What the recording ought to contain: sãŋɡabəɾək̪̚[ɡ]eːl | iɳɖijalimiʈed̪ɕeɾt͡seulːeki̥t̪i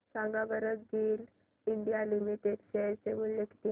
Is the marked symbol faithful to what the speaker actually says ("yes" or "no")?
yes